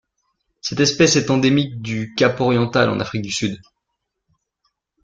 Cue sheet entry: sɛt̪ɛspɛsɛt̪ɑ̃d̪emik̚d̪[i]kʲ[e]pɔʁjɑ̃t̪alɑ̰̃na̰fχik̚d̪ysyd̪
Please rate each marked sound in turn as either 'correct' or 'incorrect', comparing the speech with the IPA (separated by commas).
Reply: incorrect, incorrect